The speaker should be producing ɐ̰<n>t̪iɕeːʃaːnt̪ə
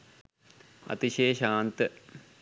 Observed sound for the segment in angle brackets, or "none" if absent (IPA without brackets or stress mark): none